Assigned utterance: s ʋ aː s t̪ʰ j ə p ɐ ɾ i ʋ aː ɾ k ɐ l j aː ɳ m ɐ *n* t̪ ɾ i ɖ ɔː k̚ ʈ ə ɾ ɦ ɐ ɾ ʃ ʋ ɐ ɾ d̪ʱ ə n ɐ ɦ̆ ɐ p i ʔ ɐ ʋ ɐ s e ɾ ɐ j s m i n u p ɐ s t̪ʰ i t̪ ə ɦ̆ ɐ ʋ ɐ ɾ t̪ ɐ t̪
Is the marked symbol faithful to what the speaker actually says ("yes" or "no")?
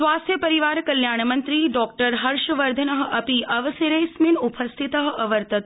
yes